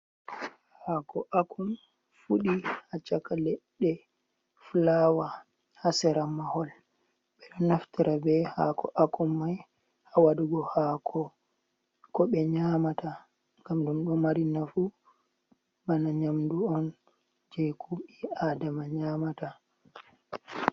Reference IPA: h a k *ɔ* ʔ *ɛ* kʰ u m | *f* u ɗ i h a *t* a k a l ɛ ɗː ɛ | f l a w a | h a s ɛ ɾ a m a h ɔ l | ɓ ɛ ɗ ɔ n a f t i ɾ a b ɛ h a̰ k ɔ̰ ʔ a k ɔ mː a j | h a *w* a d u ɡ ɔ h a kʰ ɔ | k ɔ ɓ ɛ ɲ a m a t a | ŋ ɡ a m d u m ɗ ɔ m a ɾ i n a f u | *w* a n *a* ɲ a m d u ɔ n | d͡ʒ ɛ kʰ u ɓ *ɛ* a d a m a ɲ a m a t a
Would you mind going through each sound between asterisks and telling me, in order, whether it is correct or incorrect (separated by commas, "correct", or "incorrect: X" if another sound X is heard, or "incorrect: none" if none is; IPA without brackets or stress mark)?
correct, incorrect: a, correct, incorrect: t͡ʃ, correct, incorrect: b, correct, incorrect: i